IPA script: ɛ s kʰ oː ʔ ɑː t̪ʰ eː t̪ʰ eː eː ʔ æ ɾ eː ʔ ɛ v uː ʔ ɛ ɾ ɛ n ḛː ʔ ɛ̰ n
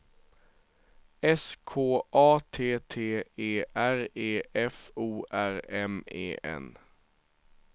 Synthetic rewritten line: ɛ s kʰ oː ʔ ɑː t̪ʰ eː t̪ʰ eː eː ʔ æ ɾ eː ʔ ɛ f uː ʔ æ ɾ ɛ m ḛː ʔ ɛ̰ n